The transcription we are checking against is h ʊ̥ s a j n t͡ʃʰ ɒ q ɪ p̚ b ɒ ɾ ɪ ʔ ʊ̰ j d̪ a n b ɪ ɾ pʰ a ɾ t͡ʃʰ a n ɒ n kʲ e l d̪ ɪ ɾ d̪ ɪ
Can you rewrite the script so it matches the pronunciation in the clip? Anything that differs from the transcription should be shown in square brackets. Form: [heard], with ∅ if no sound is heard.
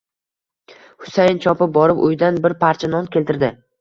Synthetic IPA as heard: h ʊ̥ s a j n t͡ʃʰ ɒ [p] ɪ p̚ b ɒ ɾ ɪ [p] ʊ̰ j d̪ a n b ɪ ɾ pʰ a ɾ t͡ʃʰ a n ɒ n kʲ e l [t̪] ɪ ɾ d̪ ɪ